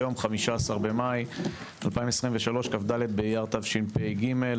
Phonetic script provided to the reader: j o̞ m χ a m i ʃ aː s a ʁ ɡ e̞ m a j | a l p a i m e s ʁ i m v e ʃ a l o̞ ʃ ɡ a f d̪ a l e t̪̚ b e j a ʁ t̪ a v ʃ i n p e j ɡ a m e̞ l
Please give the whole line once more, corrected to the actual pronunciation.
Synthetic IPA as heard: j o̞ m χ a m i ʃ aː s a ʁ b e̞ m a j | a l p a i m e s ʁ i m v e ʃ a l o̞ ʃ k a f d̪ a l e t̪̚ b e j a ʁ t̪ a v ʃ i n p e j ɡ i m e̞ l